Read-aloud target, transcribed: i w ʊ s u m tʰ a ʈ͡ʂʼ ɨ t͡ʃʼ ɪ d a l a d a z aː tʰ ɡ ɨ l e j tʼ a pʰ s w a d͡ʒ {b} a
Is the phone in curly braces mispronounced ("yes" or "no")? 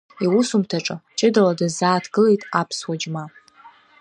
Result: yes